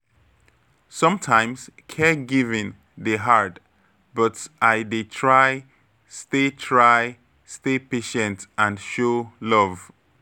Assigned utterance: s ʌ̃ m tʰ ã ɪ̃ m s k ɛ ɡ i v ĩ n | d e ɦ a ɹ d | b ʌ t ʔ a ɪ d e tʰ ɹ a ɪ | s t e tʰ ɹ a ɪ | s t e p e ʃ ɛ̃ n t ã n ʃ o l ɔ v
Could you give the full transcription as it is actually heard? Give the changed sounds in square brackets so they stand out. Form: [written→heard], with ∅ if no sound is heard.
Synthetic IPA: s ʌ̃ m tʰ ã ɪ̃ m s [k→kʰ] ɛ ɡ i v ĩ n | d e ɦ a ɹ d | b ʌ t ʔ a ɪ d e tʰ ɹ a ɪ | s t e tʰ ɹ a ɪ | s t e p e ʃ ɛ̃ n t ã n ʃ o l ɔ v